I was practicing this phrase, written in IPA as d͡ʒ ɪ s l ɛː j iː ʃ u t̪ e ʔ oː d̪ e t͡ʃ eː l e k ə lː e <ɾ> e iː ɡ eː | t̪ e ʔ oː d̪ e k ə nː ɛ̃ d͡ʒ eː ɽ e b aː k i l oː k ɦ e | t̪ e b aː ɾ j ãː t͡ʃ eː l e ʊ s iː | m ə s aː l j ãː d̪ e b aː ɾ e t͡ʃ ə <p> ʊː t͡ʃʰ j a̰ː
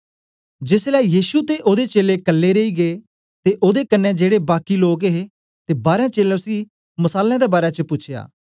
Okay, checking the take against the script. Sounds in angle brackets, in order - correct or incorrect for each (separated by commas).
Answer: correct, correct